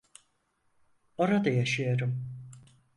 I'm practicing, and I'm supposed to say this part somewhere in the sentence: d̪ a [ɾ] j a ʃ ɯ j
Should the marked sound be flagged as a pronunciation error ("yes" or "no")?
yes